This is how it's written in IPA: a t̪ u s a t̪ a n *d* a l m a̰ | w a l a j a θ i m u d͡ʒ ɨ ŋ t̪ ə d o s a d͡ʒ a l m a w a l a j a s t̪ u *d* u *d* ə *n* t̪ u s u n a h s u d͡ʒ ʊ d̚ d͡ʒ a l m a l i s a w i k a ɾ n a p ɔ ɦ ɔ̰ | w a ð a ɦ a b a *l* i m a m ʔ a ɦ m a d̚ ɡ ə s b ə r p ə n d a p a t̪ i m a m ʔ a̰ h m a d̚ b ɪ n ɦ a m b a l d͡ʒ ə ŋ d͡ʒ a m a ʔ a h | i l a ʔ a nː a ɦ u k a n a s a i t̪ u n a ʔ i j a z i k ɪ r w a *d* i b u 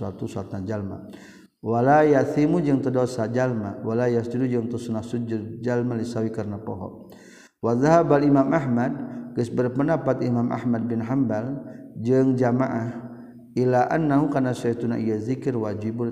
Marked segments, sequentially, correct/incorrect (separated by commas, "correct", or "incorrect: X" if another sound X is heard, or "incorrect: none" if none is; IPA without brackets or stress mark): incorrect: d͡ʒ, correct, incorrect: d͡ʒ, incorrect: ŋ, correct, incorrect: d͡ʒ